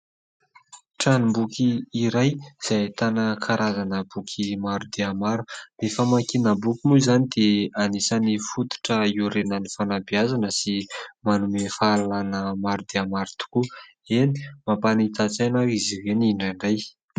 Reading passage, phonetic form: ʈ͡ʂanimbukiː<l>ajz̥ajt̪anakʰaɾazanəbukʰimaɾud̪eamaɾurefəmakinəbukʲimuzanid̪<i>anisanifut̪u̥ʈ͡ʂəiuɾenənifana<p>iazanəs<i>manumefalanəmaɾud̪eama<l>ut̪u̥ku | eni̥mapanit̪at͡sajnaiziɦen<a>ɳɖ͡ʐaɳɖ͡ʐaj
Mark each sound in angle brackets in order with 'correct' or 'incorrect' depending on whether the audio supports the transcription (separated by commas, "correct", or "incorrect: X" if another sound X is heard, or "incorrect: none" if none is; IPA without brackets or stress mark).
incorrect: ɾ, incorrect: e, incorrect: b, correct, incorrect: ɾ, incorrect: i